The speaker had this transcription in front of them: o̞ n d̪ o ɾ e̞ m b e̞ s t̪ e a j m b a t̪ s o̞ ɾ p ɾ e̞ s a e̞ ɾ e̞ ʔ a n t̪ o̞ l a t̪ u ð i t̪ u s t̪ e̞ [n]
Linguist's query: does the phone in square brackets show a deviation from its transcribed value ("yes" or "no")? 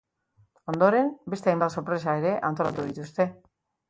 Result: yes